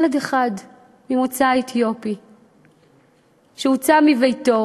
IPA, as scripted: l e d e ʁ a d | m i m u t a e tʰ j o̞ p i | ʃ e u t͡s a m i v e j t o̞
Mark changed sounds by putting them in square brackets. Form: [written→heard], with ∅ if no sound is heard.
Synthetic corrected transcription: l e d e [ʁ→χ] a d | m i m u [t→t͡s] a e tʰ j o̞ p i | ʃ e u t͡s a m i v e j t o̞